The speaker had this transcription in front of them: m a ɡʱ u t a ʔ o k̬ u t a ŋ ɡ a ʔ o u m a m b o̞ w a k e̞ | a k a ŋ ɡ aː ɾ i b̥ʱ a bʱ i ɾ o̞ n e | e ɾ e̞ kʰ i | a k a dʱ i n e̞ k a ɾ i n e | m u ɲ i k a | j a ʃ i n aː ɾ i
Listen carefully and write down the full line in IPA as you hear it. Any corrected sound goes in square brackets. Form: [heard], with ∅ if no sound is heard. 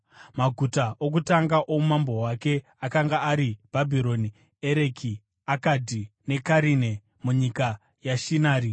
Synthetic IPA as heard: m a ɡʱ u t a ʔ o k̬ u t a ŋ ɡ a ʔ o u m a m b o̞ w a k e̞ | a k a ŋ ɡ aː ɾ i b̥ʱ a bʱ i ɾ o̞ n [i] | e ɾ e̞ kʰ i | a k a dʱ i n e̞ k a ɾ i n e | m u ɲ i k a | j a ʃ i n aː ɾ i

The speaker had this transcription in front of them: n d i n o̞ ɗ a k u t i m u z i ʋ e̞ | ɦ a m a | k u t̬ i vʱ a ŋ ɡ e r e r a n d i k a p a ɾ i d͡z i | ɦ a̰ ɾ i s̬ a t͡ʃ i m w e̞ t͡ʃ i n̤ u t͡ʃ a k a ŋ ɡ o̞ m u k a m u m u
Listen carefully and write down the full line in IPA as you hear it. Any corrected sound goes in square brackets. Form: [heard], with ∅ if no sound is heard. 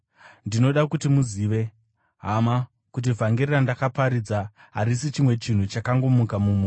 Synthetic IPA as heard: n d i n o̞ ɗ a k u t i m u z i ʋ e̞ | ɦ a m a | k u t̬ i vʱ a ŋ ɡ e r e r a n d [a] k a p a ɾ i d͡z [a] | ɦ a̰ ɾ i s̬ [i] t͡ʃ i m w e̞ t͡ʃ i n̤ u t͡ʃ a k a ŋ ɡ o̞ m u k a m u m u

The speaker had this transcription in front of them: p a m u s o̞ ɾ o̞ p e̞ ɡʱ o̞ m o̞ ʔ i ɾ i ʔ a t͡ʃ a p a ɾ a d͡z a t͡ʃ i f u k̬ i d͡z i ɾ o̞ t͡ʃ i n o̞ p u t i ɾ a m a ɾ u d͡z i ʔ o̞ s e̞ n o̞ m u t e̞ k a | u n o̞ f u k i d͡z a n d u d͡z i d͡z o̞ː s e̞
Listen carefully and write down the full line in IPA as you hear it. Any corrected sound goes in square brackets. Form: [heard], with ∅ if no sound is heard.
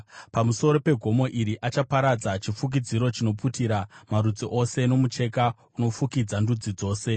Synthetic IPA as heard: p a m u s o̞ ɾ o̞ p e̞ ɡʱ o̞ m o̞ ʔ i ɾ i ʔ a t͡ʃ a p a ɾ a d͡z a t͡ʃ i f u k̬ i d͡z i ɾ o̞ t͡ʃ i n o̞ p u t i ɾ a m a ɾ u d͡z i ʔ o̞ s e̞ n o̞ m u [t͡ʃ] e̞ k a | u n o̞ f u k i d͡z a n d u d͡z i d͡z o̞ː s e̞

